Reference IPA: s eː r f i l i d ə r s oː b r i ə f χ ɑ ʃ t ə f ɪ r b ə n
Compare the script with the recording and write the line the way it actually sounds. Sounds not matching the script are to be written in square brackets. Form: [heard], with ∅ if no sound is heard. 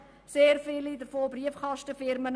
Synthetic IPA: s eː r f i l i d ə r [f] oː b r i ə f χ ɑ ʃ t ə f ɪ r [m] ə n